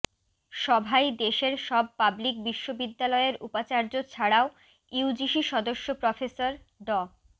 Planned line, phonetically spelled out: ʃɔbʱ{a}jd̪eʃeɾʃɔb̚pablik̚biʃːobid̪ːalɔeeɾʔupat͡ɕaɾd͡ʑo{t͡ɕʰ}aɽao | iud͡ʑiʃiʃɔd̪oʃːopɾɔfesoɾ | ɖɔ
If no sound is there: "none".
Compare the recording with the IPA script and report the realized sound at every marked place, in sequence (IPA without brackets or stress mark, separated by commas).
a, t͡ɕʰ